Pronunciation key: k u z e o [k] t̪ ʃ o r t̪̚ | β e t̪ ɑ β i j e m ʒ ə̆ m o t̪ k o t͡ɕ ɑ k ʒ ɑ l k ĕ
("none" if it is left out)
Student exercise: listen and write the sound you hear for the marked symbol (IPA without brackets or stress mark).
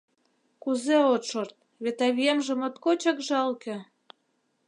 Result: none